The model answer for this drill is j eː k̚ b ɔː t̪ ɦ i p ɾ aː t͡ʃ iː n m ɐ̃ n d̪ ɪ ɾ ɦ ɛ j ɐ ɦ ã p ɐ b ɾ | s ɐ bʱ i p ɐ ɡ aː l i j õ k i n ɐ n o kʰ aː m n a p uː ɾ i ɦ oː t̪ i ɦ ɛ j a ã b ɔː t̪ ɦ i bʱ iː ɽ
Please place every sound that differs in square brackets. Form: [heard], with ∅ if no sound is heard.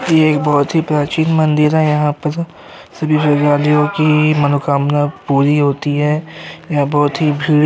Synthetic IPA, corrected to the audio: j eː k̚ b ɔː t̪ ɦ i p ɾ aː t͡ʃ iː n m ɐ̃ n d̪ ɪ ɾ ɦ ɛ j ɐ ɦ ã p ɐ [∅] ɾ | s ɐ bʱ i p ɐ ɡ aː l i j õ k i [m] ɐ n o [k] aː m n a p uː ɾ i ɦ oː t̪ i ɦ ɛ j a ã b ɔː t̪ ɦ i bʱ iː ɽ